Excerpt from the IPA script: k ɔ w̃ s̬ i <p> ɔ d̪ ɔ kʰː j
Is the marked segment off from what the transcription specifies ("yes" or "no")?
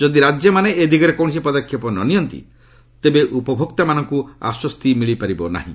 no